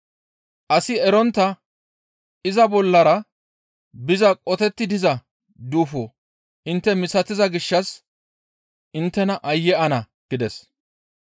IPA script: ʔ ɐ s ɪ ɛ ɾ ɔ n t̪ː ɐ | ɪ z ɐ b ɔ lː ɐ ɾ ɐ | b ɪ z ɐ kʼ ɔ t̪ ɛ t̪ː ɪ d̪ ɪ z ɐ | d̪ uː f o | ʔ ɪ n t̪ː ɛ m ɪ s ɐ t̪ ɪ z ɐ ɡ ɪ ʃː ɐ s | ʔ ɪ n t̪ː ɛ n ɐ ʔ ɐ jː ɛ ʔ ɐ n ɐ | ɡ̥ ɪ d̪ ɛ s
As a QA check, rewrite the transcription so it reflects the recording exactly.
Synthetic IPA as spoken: ʔ ɐ s ɪ ɛ ɾ ɔ n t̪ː ɐ | ɪ z ɐ b ɔ lː ɐ ɾ ɐ | b ɪ z ɐ kʼ ɔ t̪ ɛ t̪ː ɪ d̪ ɪ z ɐ | d̪ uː f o | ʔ ɪ n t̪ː ɛ m ɪ s ɐ t̪ ɪ z ɐ ɡ ɪ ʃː ɐ s | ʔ ɪ n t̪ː ɛ n ɐ ʔ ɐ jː ɛ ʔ ɐ n ɐ | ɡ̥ ɪ d̪ ɛ s

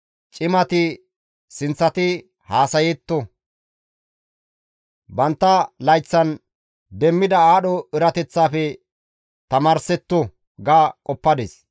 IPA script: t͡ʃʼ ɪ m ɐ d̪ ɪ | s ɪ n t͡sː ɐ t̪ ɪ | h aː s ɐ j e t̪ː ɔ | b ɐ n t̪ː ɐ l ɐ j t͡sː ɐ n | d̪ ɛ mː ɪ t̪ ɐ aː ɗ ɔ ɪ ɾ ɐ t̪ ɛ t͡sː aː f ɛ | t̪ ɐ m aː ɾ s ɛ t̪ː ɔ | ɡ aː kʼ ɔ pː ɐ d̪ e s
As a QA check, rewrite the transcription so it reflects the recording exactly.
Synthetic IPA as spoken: t͡ʃʼ ɪ m ɐ t̪ ɪ | s ɪ n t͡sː ɐ t̪ ɪ | h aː s ɐ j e t̪ː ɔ | b ɐ n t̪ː ɐ l ɐ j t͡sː ɐ n | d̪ ɛ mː ɪ d̪ ɐ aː ɗ ɔ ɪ ɾ ɐ t̪ ɛ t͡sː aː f ɛ | t̪ ɐ m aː ɾ s ɛ t̪ː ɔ | ɡ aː kʼ ɔ pː ɐ d̪ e s

